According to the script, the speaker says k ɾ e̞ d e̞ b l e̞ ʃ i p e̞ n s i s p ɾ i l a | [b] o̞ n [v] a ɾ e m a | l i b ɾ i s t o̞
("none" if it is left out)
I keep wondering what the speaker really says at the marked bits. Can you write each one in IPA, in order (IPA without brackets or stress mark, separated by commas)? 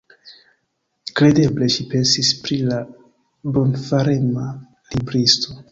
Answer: b, f